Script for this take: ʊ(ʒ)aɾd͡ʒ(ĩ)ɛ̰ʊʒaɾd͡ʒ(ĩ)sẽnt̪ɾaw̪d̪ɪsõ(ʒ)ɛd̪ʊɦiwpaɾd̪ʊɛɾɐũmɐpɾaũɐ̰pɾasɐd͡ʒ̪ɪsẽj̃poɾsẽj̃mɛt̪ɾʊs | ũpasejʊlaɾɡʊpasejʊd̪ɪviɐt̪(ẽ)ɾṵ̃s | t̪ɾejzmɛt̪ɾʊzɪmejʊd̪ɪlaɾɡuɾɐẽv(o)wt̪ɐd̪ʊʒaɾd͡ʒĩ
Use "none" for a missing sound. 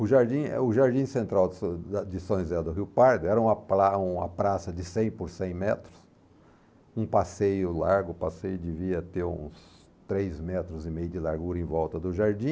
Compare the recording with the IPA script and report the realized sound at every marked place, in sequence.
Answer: ʒ, ĩ, ĩ, z, e, ɔ

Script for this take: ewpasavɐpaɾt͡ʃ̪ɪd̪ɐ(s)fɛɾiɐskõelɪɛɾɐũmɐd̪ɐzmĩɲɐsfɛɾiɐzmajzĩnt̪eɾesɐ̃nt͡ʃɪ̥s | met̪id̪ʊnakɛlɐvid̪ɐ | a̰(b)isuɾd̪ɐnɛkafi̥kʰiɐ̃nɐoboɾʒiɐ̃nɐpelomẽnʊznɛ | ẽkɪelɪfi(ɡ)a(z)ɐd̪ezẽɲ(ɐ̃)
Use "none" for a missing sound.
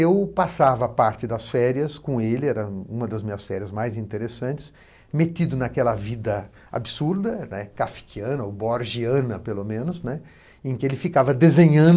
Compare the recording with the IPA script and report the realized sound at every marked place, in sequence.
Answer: s, b, k, v, ɐ̃

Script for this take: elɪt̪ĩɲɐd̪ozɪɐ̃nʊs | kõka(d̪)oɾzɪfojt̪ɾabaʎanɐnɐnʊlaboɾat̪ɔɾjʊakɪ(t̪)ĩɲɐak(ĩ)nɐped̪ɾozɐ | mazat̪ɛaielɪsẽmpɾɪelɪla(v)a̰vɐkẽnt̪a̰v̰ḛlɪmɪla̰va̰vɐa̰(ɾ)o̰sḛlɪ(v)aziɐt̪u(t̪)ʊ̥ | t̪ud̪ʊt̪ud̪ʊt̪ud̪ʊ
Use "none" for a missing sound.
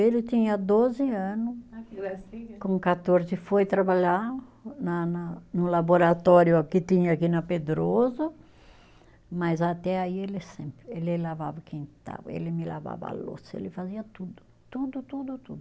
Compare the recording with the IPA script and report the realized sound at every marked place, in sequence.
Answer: t̪, t̪, i, v, l, f, d̪

